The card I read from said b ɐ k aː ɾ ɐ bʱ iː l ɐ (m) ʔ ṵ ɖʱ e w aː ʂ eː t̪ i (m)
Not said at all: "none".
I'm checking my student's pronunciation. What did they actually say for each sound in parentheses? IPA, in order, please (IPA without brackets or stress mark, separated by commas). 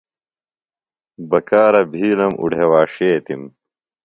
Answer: m, m